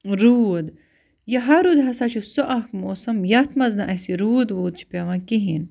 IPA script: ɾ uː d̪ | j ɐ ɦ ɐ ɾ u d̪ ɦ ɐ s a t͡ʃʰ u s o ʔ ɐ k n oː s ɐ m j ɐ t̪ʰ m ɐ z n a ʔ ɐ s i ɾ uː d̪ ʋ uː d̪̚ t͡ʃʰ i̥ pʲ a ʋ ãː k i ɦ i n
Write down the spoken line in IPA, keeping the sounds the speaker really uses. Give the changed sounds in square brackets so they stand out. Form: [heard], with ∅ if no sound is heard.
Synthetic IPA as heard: ɾ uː d̪ | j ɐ ɦ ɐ ɾ u d̪ ɦ ɐ s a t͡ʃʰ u s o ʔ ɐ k [m] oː s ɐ m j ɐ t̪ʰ m ɐ z n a ʔ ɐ s i ɾ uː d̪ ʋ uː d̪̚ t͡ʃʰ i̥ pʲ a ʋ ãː k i ɦ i n

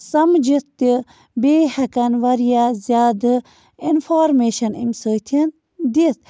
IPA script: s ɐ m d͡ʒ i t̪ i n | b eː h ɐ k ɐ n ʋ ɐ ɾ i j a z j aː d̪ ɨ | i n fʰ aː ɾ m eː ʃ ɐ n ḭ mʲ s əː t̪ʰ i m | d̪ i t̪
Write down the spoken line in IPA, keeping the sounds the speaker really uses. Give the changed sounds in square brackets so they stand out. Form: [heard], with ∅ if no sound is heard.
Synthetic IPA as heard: s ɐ m d͡ʒ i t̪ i [∅] | b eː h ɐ k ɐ n ʋ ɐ ɾ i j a z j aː d̪ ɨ | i n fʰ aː ɾ m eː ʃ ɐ n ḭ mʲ s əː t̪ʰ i [n] | d̪ i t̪

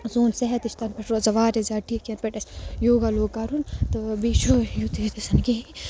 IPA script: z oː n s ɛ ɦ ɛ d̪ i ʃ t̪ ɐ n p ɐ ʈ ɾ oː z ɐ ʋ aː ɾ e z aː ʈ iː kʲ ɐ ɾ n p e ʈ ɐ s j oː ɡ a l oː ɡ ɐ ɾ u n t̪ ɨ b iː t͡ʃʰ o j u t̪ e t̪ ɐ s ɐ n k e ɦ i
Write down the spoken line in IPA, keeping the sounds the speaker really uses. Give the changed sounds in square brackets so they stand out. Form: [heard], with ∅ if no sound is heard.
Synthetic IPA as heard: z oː n s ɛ ɦ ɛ [t̪] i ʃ t̪ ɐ n p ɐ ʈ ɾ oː z ɐ ʋ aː ɾ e z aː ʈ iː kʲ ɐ [∅] n p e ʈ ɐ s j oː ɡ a l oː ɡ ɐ ɾ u n t̪ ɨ b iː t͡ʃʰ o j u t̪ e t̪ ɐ s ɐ n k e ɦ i

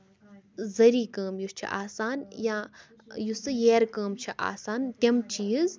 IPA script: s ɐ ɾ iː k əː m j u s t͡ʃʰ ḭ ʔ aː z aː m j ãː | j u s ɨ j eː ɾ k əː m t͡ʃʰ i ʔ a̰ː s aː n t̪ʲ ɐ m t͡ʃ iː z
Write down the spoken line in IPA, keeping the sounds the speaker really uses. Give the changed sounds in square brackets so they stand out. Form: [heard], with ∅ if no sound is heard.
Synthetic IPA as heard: [z] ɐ ɾ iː k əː m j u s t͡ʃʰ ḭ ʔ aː [s] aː [n] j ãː | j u s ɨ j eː ɾ k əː m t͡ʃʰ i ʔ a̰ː s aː n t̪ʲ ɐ m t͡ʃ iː z

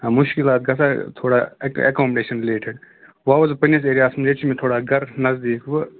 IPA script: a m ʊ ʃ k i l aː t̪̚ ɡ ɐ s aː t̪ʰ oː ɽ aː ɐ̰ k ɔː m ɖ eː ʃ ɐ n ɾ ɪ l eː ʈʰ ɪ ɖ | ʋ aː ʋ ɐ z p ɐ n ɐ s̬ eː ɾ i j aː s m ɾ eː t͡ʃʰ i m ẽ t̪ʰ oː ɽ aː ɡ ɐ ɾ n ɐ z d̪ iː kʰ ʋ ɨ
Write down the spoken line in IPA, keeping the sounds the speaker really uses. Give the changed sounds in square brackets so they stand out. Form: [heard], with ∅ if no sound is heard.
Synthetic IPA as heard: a m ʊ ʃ k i l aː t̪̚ ɡ ɐ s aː t̪ʰ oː ɽ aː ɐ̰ k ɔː m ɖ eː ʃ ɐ n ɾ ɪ l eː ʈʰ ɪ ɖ | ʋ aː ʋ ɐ z p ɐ n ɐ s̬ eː ɾ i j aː s m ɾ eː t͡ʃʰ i m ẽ t̪ʰ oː ɽ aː ɡ ɐ ɾ n ɐ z d̪ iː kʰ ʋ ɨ

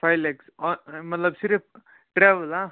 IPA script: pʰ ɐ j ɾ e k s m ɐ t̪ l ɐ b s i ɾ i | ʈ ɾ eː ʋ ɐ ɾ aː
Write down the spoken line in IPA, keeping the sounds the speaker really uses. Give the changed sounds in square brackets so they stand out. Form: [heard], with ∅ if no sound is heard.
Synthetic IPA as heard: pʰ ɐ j [l] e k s m ɐ t̪ l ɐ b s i ɾ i | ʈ ɾ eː ʋ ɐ [l] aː

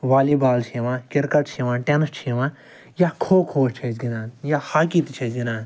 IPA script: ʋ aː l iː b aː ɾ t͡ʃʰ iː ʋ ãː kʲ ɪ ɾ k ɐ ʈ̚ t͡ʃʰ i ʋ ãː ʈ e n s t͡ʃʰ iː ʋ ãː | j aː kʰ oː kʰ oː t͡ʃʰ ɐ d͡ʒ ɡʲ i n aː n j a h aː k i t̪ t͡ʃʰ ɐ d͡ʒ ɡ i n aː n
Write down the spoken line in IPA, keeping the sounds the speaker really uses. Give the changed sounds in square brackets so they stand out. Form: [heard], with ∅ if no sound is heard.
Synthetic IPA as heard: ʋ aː l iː b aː [l] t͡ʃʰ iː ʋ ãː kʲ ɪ ɾ k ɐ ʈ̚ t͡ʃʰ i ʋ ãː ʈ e n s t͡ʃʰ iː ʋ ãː | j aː kʰ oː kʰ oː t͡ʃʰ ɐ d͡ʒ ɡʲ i n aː n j a h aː k i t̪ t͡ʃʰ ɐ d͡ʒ ɡ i n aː n

